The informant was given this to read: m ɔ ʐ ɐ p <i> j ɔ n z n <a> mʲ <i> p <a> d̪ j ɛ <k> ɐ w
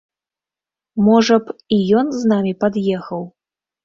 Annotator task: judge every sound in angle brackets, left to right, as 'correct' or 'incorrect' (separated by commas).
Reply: correct, correct, correct, correct, incorrect